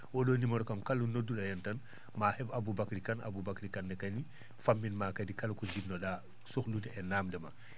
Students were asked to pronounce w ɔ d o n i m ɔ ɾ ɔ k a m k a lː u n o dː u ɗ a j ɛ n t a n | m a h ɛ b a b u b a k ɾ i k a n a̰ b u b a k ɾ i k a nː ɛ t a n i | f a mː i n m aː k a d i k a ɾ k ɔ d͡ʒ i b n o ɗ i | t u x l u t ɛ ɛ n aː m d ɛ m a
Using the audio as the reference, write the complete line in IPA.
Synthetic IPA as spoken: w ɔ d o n i m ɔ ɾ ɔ k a m k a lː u n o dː u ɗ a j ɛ n t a n | m a h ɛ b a b u b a k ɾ i k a n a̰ b u b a k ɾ i k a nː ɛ k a n i | f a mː i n m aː k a d i k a l k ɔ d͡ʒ i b n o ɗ a | s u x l u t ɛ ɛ n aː m d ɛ m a